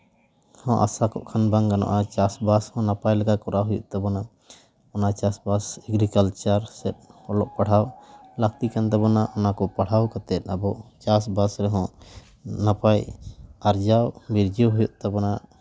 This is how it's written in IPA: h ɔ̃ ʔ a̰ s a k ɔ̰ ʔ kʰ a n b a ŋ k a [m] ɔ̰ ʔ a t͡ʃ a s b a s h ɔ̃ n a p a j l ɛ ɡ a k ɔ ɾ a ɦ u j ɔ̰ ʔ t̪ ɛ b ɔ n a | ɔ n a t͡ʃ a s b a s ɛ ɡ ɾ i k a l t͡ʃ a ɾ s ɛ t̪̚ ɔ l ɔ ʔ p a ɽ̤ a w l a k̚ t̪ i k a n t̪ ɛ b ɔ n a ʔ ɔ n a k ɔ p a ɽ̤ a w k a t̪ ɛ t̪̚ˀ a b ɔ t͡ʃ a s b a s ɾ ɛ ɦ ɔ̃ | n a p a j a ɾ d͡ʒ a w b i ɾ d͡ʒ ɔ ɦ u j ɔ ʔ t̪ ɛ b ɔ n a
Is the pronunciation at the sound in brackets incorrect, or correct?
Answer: incorrect